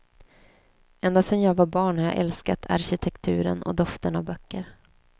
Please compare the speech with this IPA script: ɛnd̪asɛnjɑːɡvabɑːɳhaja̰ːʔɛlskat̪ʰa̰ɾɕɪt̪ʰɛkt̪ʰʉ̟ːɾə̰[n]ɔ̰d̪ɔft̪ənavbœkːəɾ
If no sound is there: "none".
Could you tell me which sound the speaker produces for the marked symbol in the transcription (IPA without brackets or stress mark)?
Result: n